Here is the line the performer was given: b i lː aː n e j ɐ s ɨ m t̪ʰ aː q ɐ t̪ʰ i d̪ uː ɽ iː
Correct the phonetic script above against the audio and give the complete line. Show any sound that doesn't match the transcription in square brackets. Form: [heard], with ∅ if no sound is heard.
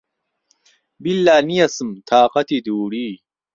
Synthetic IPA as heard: b i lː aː n [i] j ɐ s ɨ m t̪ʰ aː q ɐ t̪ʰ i d̪ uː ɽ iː